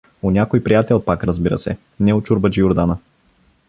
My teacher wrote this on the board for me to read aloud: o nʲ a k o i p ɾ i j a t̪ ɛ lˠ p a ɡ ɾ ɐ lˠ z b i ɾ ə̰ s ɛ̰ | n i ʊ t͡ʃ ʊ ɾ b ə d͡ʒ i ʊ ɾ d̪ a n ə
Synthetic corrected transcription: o nʲ a k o j p ɾ i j a t̪ ɛ lˠ p a k ɾ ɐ z b i ɾ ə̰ s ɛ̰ | n ɛ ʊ t͡ʃ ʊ ɾ b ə d͡ʒ i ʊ ɾ d̪ a n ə